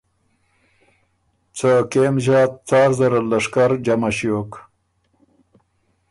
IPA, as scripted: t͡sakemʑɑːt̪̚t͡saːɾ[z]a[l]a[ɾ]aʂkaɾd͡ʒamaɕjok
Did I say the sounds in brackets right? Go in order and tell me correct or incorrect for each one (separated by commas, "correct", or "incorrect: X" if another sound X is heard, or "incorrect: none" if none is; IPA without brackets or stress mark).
correct, incorrect: ɾ, incorrect: l